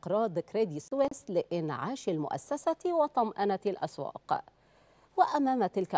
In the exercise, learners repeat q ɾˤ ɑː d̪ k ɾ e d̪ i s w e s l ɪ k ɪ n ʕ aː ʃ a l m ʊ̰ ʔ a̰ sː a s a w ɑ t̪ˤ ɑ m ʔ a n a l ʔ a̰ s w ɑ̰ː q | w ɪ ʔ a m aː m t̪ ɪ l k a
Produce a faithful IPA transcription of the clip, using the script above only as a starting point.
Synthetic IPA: q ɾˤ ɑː d̪ k ɾ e d̪ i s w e s l ɪ ʔ ɪ n ʕ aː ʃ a l m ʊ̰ ʔ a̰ sː a s a w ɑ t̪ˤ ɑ m ʔ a n a l ʔ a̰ s w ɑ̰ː q | w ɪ ʔ a m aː m t̪ ɪ l k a